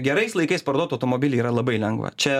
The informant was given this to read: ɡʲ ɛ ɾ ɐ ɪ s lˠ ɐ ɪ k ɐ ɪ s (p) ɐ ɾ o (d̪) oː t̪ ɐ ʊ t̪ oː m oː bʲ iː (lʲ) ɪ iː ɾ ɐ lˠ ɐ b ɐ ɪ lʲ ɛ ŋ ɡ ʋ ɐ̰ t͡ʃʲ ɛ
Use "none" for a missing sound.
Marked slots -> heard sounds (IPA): p, d̪, lʲ

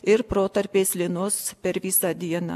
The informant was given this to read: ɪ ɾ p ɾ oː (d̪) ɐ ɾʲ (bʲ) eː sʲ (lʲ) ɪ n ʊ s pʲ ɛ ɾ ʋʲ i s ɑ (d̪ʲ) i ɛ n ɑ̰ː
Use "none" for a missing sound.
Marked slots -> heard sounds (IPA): t̪, pʲ, lʲ, d̪ʲ

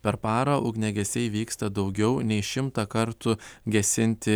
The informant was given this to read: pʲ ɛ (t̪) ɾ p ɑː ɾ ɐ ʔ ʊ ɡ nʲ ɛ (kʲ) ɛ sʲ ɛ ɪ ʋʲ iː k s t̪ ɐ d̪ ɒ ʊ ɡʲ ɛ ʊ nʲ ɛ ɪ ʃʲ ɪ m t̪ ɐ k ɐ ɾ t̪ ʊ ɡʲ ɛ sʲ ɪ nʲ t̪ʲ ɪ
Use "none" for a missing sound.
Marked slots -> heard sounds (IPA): none, ɡʲ

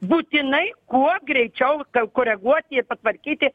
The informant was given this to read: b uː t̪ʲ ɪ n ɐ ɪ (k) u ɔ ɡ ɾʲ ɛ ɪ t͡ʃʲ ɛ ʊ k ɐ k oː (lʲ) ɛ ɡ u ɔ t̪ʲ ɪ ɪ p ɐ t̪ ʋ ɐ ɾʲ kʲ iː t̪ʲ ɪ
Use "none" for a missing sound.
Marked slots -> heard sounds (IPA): k, ɾʲ

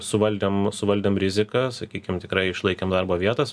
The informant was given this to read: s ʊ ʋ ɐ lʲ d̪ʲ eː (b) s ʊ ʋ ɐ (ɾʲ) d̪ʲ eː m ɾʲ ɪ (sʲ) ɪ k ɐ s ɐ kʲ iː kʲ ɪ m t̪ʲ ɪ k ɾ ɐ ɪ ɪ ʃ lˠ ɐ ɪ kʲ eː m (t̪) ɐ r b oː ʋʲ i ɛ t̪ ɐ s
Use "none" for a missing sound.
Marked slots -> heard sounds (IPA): m, lʲ, zʲ, d̪

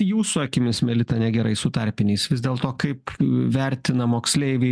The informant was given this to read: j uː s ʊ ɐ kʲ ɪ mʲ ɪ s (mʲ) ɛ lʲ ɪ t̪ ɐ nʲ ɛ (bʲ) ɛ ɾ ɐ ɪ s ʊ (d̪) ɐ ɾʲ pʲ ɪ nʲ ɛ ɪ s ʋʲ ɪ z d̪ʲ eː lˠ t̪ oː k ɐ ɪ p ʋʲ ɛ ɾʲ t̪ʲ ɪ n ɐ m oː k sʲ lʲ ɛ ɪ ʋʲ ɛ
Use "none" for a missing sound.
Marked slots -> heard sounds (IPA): mʲ, ɡʲ, t̪

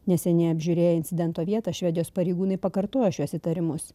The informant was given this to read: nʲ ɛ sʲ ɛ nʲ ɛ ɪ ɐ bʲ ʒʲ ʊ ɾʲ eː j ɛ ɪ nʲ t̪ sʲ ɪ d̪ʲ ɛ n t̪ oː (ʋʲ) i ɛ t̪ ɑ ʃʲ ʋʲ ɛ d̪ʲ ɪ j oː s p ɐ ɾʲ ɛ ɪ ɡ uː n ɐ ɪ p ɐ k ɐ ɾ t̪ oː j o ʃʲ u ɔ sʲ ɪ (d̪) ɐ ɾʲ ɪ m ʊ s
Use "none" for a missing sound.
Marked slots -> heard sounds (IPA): ʋʲ, t̪

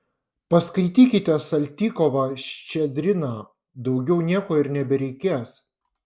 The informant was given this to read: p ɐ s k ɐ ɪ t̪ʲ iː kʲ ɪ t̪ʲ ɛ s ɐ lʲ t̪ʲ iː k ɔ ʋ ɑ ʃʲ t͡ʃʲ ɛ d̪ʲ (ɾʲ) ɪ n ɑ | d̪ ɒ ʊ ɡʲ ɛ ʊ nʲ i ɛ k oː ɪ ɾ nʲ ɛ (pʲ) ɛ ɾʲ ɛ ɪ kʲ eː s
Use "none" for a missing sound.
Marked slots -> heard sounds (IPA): ɾʲ, bʲ

